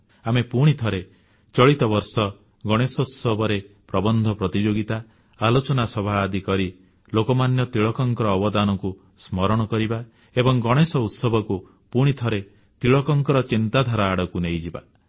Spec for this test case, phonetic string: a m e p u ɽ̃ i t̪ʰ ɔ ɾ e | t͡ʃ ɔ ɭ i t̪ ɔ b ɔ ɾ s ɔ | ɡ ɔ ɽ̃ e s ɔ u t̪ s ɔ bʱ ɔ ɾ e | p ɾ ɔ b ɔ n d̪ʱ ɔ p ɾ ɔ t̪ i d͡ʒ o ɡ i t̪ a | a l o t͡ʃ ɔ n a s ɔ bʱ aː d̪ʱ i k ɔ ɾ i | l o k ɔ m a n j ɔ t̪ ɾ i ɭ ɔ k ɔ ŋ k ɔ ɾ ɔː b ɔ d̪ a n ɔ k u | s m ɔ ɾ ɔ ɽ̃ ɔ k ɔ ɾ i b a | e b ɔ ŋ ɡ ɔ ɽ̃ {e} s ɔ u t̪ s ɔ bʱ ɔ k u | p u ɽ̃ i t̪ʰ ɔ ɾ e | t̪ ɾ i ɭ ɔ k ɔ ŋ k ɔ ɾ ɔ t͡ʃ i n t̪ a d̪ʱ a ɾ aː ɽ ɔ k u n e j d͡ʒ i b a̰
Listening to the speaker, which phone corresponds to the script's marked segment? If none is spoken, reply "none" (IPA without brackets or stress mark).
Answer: e